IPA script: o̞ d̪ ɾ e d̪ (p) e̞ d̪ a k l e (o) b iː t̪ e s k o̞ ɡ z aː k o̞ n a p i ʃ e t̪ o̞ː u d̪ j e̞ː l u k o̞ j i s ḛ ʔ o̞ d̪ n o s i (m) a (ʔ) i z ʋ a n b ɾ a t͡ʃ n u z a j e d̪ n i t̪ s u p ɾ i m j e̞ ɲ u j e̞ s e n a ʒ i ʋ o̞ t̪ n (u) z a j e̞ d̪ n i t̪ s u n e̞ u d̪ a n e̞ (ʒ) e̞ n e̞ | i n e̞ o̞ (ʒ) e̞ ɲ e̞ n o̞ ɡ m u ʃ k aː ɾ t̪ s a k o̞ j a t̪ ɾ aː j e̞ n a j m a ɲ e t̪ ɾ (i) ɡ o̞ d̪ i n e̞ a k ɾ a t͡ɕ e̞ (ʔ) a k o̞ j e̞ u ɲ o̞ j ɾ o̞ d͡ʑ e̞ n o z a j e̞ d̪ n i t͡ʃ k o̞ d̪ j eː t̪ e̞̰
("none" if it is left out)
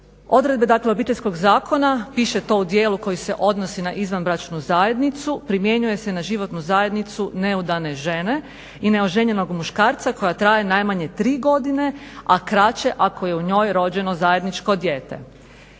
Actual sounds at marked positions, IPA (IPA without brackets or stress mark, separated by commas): b, o, n, ʔ, u, ʒ, ʒ, iː, ʔ